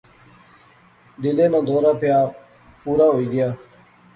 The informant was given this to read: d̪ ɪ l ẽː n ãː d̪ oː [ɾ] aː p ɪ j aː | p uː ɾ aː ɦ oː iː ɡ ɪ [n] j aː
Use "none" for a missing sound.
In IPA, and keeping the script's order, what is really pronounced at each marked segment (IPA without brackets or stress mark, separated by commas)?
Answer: ɾ, none